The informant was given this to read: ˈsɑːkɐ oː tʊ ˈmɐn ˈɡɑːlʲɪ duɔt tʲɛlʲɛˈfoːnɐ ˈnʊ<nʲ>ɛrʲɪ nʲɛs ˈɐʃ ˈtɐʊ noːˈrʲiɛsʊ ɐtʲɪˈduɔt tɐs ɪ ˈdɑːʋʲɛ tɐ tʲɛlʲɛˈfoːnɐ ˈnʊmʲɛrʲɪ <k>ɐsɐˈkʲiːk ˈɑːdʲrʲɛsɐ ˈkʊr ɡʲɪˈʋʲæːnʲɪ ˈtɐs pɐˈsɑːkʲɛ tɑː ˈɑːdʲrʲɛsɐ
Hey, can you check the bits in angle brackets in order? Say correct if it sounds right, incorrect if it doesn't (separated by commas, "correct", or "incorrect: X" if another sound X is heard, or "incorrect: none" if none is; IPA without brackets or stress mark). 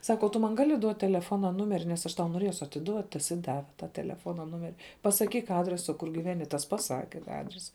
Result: incorrect: mʲ, incorrect: p